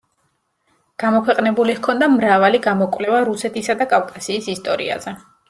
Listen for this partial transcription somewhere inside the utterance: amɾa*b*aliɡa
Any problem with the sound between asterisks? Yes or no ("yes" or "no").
yes